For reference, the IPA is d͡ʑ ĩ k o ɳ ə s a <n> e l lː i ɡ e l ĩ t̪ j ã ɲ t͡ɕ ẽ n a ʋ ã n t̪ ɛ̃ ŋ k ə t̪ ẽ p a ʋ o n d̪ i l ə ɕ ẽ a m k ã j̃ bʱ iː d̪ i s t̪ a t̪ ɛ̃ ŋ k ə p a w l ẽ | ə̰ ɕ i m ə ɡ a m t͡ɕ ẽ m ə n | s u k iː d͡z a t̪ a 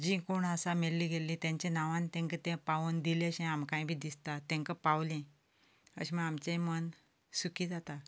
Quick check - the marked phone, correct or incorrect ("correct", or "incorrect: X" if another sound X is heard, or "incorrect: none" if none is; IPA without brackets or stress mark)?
incorrect: m